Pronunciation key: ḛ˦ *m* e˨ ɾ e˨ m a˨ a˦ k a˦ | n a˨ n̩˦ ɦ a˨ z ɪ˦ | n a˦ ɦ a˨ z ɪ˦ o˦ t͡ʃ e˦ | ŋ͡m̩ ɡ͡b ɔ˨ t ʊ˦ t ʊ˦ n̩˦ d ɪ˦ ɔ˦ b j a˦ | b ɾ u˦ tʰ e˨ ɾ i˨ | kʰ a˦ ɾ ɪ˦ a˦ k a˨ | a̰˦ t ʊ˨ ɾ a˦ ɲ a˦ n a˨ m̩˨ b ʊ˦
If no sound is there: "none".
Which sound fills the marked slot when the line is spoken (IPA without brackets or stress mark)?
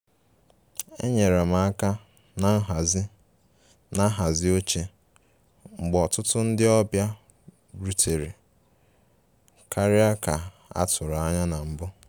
ɲ